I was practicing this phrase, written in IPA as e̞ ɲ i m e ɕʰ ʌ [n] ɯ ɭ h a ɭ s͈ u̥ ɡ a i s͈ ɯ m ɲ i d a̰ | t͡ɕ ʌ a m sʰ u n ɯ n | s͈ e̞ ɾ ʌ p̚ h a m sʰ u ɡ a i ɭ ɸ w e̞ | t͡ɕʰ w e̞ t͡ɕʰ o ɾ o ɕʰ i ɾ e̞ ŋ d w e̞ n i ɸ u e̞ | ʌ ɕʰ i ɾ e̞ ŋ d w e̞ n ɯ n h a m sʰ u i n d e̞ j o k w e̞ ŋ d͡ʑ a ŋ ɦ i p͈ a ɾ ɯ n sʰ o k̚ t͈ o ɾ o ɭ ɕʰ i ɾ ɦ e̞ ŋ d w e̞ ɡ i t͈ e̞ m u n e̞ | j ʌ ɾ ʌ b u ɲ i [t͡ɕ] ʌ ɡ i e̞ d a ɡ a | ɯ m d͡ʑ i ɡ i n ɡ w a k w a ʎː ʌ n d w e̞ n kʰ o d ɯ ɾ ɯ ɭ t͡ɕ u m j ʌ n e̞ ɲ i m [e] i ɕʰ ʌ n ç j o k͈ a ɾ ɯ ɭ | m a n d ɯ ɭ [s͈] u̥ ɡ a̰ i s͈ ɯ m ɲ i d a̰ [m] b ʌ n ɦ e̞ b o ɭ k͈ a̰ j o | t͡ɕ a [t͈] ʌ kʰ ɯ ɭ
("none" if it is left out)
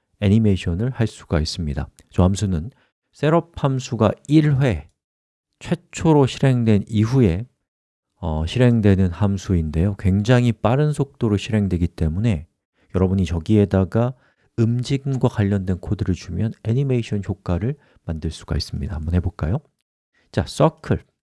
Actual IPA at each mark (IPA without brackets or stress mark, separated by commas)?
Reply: n, t͡ɕ, e, s͈, m, s͈